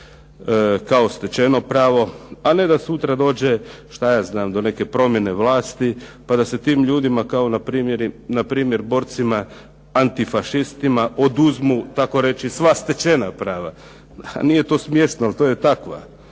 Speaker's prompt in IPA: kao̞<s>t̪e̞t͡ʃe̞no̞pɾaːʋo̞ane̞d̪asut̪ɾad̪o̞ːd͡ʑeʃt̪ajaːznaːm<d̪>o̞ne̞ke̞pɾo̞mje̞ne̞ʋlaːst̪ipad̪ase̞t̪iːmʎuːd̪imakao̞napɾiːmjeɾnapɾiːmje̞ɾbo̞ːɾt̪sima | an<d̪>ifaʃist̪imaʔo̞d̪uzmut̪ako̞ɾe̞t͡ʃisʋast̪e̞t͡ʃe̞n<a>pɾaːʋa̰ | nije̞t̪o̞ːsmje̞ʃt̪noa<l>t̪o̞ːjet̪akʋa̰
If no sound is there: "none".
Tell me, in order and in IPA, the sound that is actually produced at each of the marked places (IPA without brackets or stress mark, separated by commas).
s, d̪, t̪, a, l